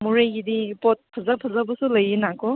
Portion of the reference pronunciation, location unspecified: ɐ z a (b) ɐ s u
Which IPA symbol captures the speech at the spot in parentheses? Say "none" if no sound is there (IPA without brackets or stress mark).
b